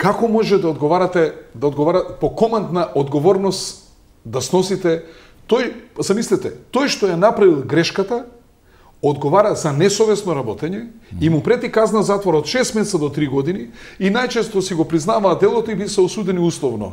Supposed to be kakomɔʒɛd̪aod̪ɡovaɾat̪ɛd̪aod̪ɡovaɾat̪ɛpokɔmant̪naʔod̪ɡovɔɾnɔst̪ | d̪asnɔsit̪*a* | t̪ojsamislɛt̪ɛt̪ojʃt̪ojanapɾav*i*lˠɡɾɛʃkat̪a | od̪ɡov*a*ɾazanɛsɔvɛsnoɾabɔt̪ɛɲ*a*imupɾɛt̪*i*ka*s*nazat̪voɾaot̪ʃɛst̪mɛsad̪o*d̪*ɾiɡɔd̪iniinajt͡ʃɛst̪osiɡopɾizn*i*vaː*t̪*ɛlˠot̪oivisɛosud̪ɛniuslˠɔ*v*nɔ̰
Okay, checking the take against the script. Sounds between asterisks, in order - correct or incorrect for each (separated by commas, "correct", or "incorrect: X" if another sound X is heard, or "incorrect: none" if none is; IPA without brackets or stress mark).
incorrect: ɛ, correct, correct, incorrect: ɛ, correct, incorrect: z, incorrect: t̪, incorrect: a, incorrect: d̪, correct